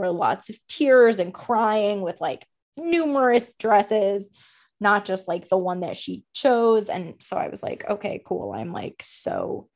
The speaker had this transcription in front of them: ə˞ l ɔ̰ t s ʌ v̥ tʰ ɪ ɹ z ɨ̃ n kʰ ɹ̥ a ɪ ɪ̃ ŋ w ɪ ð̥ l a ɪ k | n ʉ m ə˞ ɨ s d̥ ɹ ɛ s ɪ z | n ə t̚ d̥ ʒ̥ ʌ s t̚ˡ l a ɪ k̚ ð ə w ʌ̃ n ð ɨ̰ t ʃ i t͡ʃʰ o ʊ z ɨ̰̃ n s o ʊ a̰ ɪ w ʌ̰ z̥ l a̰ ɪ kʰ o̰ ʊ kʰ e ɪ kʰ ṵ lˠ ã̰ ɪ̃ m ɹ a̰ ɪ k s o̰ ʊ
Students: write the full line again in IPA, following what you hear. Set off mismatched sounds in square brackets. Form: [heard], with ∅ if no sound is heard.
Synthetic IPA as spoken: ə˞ l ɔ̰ t s ʌ v̥ tʰ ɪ ɹ z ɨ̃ n kʰ ɹ̥ a ɪ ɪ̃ ŋ w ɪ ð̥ l a ɪ k | n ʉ m ə˞ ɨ s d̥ ɹ ɛ s ɪ z | n ə t̚ d̥ ʒ̥ ʌ s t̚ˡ l a ɪ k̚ ð ə w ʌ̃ n ð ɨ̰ t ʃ i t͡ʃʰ o ʊ z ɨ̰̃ n s o ʊ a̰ ɪ w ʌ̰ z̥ l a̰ ɪ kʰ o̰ ʊ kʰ e ɪ kʰ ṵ lˠ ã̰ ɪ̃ m [l] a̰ ɪ k s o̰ ʊ